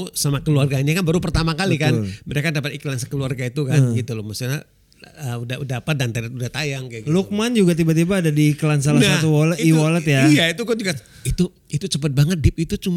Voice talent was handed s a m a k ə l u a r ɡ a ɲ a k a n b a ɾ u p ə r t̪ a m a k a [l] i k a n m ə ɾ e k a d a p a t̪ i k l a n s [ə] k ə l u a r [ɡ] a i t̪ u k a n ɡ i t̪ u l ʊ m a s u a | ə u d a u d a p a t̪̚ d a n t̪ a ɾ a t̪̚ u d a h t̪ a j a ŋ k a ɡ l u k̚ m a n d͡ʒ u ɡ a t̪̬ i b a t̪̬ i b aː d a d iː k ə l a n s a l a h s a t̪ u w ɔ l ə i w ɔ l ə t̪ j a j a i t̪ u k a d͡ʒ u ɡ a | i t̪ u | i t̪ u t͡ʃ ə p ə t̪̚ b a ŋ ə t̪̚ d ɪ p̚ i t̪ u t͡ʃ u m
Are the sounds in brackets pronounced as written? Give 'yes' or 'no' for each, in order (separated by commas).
yes, yes, yes